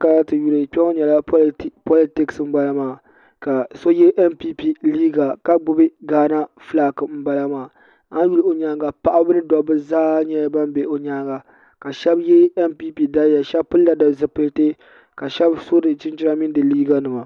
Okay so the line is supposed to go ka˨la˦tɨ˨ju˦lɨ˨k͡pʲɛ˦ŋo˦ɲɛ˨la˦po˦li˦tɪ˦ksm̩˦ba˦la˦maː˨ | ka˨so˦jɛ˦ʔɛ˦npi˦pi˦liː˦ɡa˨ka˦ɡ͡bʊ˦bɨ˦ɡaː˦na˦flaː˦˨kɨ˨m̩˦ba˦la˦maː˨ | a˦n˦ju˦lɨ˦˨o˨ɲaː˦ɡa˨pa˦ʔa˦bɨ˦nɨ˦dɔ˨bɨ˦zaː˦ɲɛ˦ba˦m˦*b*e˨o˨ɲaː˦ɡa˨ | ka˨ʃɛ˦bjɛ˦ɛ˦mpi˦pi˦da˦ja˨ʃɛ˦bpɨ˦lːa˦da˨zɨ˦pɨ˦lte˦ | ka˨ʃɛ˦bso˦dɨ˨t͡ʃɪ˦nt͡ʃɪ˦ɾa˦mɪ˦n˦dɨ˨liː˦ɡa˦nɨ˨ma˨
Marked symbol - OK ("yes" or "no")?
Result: yes